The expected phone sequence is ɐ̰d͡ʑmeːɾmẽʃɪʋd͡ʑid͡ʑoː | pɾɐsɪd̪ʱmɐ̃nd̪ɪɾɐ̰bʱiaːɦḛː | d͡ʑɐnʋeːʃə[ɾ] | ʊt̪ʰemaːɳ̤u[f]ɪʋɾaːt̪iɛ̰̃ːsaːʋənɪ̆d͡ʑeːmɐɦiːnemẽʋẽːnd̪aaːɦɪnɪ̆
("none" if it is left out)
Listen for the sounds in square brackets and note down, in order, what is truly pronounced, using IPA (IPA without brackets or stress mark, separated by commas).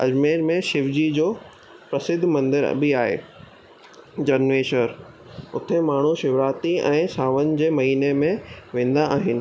ɾ, ʃ